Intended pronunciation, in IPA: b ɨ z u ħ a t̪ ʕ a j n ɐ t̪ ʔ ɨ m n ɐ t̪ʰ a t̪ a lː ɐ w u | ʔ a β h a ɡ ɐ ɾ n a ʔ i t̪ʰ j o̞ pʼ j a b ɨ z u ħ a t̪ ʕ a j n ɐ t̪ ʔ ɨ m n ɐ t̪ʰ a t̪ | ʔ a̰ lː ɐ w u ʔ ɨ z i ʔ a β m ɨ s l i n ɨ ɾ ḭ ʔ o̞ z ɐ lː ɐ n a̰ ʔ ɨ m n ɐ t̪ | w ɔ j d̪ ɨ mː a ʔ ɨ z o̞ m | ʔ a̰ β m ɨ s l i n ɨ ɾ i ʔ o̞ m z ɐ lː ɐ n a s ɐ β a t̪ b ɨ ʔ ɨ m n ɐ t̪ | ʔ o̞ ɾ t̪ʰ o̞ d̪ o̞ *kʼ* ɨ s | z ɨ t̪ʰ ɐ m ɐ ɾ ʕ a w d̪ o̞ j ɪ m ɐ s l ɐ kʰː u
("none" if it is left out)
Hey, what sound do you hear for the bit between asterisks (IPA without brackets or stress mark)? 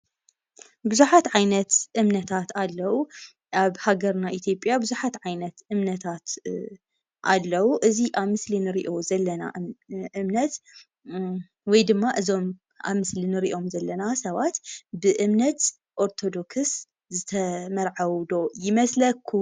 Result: k